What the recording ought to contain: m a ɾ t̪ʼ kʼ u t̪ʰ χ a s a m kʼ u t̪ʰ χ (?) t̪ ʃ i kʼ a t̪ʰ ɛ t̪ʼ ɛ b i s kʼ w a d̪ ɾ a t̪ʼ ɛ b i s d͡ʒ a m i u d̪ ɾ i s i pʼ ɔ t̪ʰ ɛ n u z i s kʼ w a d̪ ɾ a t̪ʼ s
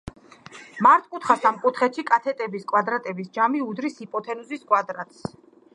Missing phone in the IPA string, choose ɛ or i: ɛ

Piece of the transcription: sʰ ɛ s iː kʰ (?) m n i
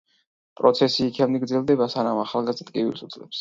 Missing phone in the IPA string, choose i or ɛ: ɛ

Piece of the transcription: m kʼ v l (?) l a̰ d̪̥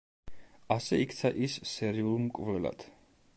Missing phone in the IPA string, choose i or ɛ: ɛ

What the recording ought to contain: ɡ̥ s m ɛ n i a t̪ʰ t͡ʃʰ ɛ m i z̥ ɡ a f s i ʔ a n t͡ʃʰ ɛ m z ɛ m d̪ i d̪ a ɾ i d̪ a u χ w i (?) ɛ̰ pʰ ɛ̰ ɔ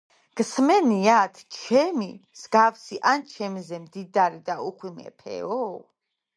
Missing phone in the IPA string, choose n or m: m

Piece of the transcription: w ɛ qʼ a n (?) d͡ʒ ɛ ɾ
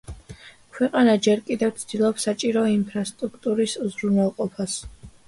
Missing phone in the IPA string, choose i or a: a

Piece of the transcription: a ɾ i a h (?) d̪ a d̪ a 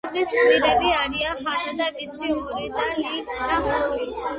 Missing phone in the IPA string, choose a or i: a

